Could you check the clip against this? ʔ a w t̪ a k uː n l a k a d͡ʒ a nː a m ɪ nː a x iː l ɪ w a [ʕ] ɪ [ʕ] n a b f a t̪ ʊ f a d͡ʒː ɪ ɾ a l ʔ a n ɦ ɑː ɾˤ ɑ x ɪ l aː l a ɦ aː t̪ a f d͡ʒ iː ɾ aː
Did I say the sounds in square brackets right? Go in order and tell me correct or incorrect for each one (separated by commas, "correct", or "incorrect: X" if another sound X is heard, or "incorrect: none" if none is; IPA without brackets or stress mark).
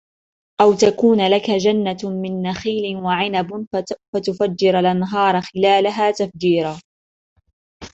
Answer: correct, incorrect: none